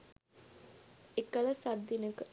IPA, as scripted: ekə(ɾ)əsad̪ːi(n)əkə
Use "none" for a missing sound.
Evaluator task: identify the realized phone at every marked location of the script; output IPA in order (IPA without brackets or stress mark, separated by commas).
l, n